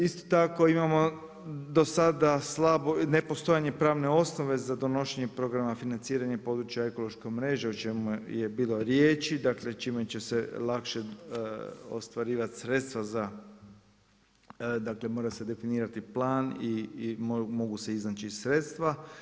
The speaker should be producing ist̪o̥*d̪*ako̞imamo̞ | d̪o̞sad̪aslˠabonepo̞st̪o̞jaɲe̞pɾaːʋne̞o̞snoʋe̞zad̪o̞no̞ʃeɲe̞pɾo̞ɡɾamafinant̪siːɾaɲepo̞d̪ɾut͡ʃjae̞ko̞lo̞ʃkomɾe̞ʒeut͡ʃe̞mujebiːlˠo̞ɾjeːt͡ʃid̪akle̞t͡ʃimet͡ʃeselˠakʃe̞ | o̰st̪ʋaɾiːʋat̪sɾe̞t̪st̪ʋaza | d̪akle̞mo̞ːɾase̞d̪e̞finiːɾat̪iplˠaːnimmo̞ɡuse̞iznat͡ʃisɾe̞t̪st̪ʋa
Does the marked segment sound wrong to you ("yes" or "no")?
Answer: yes